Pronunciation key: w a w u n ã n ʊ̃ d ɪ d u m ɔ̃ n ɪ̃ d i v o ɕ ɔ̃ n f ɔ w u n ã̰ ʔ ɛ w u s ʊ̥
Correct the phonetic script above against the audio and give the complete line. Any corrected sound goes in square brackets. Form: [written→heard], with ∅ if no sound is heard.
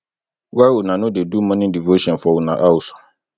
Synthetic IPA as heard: w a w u n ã n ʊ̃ d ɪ d u m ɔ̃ n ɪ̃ d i v o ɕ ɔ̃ n f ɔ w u n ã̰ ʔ [ɛ→a] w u s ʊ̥